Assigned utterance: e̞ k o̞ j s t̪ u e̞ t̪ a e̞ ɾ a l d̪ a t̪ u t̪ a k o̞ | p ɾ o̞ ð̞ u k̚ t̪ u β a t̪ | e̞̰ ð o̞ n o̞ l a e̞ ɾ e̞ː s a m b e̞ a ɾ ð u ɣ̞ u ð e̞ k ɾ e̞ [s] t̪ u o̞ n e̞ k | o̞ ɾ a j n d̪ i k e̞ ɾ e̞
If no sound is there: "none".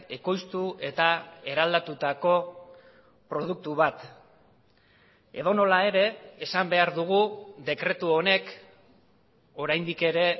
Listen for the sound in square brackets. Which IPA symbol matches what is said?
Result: none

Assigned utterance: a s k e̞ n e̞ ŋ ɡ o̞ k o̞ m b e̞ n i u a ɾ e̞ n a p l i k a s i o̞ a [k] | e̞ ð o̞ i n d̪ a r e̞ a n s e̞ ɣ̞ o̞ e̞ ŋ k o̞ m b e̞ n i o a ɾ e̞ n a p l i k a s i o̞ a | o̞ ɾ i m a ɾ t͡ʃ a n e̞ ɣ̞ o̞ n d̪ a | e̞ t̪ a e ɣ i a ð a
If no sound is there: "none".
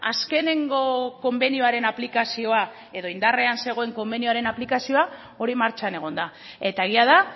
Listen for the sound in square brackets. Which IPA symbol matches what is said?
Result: none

